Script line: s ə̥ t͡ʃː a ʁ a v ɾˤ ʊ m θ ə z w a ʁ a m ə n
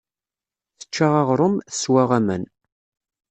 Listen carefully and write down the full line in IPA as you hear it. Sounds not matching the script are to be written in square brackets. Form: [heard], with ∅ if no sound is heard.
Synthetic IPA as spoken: [θ] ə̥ t͡ʃː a ʁ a [ʁ] ɾˤ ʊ m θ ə [s] w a ʁ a m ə n